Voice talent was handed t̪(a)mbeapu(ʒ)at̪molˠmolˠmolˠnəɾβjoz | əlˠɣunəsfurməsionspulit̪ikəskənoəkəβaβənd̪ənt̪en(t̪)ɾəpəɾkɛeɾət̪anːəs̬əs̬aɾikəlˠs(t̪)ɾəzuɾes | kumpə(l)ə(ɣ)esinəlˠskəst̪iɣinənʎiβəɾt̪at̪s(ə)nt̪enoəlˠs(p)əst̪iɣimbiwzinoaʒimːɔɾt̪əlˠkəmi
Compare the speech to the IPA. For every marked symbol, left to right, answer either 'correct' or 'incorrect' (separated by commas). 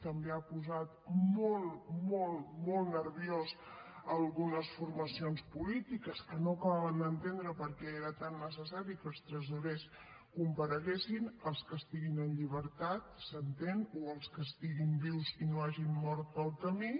incorrect, incorrect, incorrect, correct, incorrect, correct, correct, incorrect